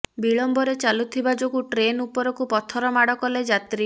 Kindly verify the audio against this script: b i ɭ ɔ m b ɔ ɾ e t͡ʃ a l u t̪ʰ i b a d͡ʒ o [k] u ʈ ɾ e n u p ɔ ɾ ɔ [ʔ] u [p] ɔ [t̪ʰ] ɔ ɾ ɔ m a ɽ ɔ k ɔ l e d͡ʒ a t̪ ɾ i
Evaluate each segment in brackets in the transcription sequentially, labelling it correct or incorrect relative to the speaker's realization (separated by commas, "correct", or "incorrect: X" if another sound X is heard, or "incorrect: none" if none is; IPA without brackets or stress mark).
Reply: incorrect: ɡ, incorrect: k, correct, correct